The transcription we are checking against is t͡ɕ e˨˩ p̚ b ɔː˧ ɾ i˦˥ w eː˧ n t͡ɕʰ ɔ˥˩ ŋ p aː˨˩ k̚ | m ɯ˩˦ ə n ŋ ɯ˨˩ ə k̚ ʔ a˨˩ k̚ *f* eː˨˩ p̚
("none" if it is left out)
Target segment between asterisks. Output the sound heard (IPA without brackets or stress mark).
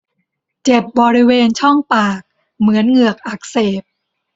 s